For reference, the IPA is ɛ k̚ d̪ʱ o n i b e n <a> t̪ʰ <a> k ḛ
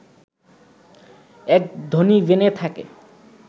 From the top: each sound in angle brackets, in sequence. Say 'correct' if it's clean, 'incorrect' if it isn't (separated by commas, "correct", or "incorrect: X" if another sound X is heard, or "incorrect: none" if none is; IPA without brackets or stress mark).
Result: incorrect: e, correct